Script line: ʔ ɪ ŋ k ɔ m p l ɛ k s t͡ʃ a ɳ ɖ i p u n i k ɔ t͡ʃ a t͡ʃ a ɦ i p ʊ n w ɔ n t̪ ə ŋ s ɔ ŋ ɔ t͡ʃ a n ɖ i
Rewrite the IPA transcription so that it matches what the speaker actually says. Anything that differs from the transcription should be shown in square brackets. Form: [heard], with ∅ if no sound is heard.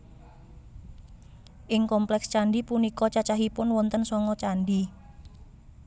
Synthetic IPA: ʔ ɪ ŋ k ɔ m p l ɛ k s t͡ʃ a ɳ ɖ i p u n i k ɔ t͡ʃ a t͡ʃ a ɦ i p ʊ n w ɔ n t̪ ə [n] s ɔ ŋ ɔ t͡ʃ a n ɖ i